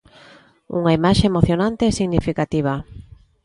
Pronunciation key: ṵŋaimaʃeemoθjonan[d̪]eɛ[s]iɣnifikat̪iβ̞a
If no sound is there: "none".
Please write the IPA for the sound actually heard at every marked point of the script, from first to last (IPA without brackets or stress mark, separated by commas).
t̪, s